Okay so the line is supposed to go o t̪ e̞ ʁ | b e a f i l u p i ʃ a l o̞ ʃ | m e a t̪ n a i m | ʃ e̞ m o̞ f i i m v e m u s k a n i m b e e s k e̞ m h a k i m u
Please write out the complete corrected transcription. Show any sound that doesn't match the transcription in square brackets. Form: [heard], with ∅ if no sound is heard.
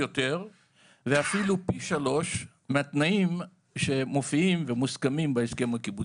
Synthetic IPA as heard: o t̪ e̞ ʁ | [v] e a f i l u p i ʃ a l o̞ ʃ | m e a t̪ n a i m | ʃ e̞ m o̞ f i i m v e m u s k a [m] i m b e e s k e̞ m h a k i [b] u

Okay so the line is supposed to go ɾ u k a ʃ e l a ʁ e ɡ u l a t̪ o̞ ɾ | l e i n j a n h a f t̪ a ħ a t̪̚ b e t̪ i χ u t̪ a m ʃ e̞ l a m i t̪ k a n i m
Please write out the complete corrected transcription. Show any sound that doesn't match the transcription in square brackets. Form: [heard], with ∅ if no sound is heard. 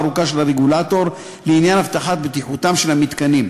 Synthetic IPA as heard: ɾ u k a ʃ e l a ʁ e ɡ u l a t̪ o̞ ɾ | l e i n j a n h a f t̪ a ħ a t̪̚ b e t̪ i [ħ] u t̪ a m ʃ e̞ l a m i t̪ k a n i m

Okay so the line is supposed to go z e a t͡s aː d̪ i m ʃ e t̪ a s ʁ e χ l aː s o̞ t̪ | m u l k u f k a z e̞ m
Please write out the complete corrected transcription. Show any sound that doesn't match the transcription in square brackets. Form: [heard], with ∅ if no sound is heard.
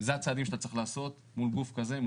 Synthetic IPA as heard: z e a t͡s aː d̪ i m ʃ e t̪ a [t͡s] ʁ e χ l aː s o̞ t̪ | m u l [ɡ] u f k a z e̞ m

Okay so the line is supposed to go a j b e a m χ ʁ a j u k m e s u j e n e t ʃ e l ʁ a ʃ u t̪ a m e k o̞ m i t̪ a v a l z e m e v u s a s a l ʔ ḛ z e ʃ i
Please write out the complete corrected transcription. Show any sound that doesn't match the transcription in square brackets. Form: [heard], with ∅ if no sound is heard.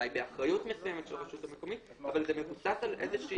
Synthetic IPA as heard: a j b e a [∅] χ ʁ a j u [t] m e s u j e [m] e t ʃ e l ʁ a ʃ u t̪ a m e k o̞ m i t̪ a v a l z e m e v u s a s a l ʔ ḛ z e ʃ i

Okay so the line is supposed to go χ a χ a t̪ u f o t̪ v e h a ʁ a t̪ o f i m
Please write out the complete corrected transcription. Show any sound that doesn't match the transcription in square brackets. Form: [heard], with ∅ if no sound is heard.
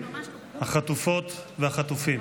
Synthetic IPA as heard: [h] a χ a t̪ u f o t̪ v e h a [χ] a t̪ [u] f i m

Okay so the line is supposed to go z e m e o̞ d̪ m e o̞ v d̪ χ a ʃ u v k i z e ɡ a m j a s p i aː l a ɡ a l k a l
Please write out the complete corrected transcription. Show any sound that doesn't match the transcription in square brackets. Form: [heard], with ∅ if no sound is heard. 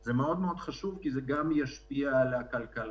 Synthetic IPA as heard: z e m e o̞ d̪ m e o̞ [∅] d̪ χ a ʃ u v k i z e ɡ a m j a [ʃ] p i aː l a [k] a l k a l

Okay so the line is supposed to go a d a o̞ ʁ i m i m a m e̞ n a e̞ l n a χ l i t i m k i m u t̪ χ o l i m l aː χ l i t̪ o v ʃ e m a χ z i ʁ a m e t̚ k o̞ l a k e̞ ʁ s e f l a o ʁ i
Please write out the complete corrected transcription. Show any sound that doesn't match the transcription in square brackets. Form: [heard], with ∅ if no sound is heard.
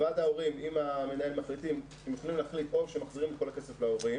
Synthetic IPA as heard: a d a o̞ ʁ i m i m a m e̞ n a e̞ l [m] a χ l i t i m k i m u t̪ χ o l i m l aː χ l i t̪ o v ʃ e m a χ z i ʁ [i] m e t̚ k o̞ l a k e̞ [∅] s e f l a o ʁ i

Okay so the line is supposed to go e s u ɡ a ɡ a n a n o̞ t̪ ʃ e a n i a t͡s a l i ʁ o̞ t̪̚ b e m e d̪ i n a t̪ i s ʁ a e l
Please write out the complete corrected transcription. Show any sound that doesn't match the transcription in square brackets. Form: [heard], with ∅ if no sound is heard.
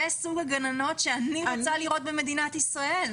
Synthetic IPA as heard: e s u ɡ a ɡ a n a n o̞ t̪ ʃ e a n i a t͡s a l i ʁ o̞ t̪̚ b e m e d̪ i n a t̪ i s ʁ a e l

